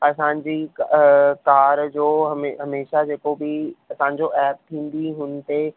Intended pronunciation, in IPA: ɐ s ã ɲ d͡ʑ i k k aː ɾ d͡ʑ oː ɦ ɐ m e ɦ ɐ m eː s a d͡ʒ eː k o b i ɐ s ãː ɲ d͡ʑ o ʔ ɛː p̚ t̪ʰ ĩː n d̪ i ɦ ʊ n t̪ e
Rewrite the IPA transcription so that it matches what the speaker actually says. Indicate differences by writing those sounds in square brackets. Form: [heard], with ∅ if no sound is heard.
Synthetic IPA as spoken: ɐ s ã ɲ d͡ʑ i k k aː ɾ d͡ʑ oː ɦ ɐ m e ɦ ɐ m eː [ʃ] a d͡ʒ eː k o b i ɐ s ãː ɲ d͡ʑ o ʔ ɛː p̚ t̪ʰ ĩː n d̪ i ɦ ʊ n t̪ e